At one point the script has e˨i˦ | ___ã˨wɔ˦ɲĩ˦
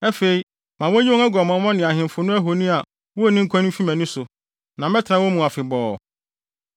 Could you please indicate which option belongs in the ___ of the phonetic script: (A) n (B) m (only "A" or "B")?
B